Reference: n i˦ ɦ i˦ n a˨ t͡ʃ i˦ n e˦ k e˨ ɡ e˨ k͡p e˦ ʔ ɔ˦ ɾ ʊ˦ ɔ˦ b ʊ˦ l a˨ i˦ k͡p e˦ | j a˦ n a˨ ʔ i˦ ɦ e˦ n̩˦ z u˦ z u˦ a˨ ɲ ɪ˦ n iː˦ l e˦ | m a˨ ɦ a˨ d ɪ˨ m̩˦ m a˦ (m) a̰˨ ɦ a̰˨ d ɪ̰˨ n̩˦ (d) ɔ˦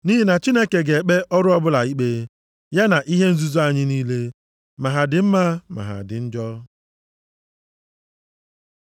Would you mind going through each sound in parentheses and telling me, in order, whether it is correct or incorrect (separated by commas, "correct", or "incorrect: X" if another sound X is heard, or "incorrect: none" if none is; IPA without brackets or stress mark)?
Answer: correct, incorrect: d͡ʒ